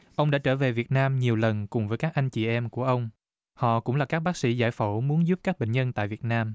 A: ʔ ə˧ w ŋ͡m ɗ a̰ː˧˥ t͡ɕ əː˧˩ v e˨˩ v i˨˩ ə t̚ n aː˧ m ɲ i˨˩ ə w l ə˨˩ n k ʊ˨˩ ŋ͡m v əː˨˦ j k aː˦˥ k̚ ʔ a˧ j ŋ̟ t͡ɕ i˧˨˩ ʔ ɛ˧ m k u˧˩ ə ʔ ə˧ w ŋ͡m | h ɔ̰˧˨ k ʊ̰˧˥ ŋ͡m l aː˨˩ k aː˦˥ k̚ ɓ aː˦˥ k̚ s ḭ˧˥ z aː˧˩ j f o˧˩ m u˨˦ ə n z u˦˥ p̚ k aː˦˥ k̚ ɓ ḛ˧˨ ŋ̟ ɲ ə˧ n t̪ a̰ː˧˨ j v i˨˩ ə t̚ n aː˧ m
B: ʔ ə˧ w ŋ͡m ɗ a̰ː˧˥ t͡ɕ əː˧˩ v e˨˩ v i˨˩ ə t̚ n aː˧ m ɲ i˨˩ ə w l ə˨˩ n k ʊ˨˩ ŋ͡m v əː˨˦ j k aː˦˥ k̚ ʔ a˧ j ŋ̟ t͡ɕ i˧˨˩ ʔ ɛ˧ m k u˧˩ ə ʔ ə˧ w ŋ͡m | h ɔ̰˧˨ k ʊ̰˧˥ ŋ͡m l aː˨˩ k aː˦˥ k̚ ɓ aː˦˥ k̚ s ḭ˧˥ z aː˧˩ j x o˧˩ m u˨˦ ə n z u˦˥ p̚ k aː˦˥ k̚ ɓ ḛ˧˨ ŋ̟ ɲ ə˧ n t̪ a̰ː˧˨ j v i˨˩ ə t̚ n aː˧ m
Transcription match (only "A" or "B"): A